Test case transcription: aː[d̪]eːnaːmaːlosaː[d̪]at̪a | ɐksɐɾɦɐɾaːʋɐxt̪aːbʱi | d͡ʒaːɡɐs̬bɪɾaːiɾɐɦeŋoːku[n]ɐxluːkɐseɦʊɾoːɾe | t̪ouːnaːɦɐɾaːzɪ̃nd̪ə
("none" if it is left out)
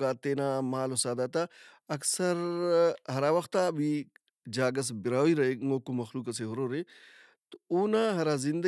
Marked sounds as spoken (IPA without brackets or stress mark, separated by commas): t̪, d̪, m